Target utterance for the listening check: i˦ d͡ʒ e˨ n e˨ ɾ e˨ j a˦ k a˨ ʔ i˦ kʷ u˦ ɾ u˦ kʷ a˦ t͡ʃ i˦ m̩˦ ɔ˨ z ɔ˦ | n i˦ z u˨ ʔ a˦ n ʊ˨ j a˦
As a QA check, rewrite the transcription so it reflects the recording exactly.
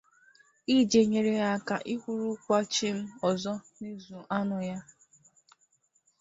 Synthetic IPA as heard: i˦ d͡ʒ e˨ ɲ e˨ ɾ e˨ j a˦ k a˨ ʔ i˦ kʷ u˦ ɾ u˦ kʷ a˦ t͡ʃ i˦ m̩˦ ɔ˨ z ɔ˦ | n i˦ z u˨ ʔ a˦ n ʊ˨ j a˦